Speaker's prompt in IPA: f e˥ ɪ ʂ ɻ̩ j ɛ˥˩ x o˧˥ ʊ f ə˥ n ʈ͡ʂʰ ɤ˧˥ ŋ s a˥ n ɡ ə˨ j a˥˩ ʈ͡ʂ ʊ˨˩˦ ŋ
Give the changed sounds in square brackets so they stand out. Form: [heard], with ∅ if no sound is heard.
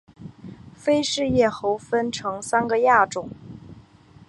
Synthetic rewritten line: f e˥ ɪ ʂ ɻ̩ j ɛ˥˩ x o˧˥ ʊ f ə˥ n ʈ͡ʂʰ ɤ˧˥ ŋ s a˥ n ɡ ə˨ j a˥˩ ʈ͡ʂ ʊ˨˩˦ ŋ